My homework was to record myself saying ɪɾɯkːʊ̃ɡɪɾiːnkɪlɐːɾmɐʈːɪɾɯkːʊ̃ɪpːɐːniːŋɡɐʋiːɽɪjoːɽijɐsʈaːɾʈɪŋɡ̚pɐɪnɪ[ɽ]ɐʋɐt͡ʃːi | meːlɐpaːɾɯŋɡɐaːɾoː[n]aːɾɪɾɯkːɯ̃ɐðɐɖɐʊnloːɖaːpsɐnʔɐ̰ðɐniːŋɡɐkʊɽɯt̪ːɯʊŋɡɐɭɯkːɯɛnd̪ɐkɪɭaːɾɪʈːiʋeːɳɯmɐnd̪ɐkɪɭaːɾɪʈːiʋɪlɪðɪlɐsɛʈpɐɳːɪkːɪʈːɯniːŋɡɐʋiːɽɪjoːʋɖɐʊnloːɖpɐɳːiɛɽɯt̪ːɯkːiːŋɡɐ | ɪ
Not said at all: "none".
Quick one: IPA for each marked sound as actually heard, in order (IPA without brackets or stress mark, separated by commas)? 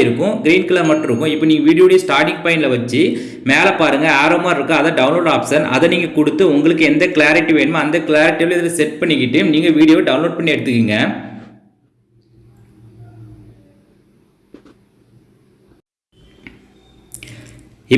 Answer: l, m